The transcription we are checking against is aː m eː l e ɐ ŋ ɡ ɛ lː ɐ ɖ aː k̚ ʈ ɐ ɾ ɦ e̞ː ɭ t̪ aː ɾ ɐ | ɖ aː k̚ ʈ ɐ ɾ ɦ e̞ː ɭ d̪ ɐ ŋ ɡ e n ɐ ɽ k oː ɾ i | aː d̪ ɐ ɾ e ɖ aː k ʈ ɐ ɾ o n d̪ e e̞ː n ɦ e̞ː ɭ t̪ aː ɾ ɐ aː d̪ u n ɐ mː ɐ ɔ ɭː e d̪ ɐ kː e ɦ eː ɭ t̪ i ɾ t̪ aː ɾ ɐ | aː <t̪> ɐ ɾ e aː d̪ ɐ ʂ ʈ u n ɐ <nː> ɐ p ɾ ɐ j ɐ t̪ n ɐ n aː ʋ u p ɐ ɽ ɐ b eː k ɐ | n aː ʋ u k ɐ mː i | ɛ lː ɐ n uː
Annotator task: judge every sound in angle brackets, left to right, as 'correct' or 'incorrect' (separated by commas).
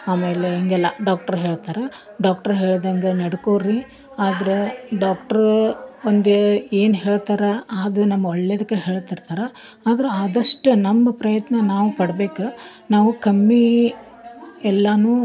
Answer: incorrect, incorrect